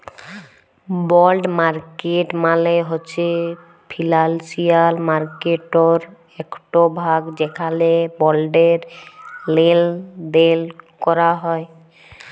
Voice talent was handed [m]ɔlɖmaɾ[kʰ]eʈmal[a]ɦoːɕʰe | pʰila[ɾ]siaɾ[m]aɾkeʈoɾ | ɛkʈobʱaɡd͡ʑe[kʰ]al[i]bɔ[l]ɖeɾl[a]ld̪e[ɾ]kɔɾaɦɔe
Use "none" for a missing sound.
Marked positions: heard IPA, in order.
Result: b, k, e, l, m, kʰ, e, l, e, l

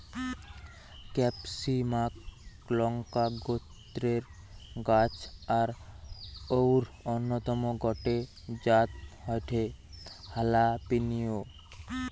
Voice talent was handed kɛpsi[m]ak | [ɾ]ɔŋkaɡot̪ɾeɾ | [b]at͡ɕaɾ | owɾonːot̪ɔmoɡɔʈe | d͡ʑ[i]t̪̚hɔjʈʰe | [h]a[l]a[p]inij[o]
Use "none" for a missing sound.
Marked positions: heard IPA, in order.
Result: m, l, ɡ, a, h, l, p, o

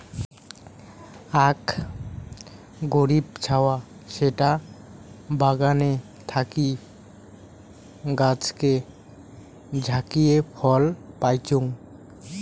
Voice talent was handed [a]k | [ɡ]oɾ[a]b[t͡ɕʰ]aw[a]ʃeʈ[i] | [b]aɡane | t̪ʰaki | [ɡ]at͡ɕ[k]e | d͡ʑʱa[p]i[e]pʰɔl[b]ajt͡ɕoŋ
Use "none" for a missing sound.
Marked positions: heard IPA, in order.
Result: a, ɡ, i, t͡ɕʰ, a, a, b, ɡ, k, k, e, p

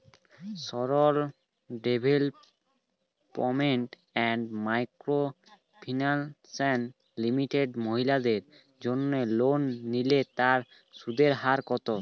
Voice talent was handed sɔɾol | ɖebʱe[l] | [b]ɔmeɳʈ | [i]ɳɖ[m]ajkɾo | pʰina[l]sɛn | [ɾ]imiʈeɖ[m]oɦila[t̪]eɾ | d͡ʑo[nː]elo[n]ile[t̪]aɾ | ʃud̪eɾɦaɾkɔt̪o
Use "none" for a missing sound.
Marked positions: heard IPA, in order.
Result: l, p, ɛ, m, l, l, m, d̪, nː, nː, t̪

